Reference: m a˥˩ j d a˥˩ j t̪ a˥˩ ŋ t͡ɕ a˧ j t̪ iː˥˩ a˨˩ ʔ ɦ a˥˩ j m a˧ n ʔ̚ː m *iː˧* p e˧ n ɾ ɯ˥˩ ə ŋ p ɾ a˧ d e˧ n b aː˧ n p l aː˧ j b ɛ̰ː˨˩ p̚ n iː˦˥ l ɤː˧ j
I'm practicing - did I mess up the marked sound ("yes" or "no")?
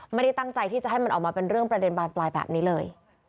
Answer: yes